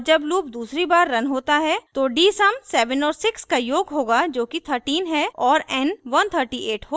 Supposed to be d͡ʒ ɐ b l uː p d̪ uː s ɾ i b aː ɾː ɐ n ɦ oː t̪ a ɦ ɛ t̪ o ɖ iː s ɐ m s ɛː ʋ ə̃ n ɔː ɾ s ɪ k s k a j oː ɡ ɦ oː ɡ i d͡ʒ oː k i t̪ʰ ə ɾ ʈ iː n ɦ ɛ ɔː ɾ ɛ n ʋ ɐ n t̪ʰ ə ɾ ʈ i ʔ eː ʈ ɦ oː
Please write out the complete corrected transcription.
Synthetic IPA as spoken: d͡ʒ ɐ b l uː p d̪ uː s ɾ i b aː ɾː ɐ n ɦ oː t̪ a ɦ ɛ t̪ o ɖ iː s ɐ m s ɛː ʋ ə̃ n ɔː ɾ s ɪ k s k a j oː ɡ ɦ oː ɡ a d͡ʒ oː k i t̪ʰ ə ɾ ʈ iː n ɦ ɛ ɔː ɾ ɛ n ʋ ɐ n t̪ʰ ə ɾ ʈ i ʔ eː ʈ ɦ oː